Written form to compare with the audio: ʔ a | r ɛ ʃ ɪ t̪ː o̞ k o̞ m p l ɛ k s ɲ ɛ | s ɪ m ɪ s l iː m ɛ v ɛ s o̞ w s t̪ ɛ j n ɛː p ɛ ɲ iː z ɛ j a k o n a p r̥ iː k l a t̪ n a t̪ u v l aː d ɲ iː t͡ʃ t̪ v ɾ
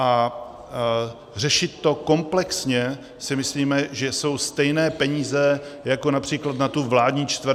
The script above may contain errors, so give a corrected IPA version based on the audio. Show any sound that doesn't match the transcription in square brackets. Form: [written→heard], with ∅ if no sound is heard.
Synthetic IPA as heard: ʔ a | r ɛ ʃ ɪ t̪ː o̞ k o̞ m p l ɛ k s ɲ ɛ | s ɪ m ɪ s l iː m ɛ [v→ʒ] ɛ s o̞ w s t̪ ɛ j n ɛː p ɛ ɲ iː z ɛ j a k o n a p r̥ iː k l a t̪ n a t̪ u v l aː d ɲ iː t͡ʃ t̪ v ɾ